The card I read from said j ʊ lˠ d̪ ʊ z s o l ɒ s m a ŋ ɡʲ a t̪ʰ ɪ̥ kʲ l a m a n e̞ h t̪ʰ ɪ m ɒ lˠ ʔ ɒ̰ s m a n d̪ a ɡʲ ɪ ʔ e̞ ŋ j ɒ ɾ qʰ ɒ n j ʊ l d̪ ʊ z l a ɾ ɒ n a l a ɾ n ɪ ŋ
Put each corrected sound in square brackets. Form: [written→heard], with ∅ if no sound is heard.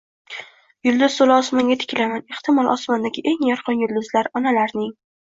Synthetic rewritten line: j ʊ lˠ d̪ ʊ z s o l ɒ s m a ŋ ɡʲ a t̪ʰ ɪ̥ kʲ l a m a n e̞ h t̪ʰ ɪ m ɒ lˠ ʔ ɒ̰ s m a n d̪ a ɡʲ ɪ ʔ e̞ ŋ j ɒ ɾ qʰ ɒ n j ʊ l d̪ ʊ z l a ɾ ɒ n a l a ɾ n ɪ ŋ